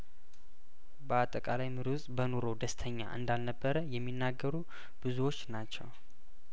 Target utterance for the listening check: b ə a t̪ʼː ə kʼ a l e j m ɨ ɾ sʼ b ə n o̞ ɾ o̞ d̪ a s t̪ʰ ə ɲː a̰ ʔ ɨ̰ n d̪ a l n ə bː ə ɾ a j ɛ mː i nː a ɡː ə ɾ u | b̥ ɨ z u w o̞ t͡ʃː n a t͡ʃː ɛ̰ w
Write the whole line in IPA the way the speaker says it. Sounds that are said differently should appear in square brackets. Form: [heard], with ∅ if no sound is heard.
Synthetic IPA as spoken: b ə a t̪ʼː ə kʼ a l [a] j m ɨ ɾ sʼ b ə n o̞ ɾ o̞ d̪ [ə] s t̪ʰ ə ɲː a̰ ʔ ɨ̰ n d̪ a l n ə bː ə ɾ [ə] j ɛ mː i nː a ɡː ə ɾ u | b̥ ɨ z u w o̞ t͡ʃː n a t͡ʃː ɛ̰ w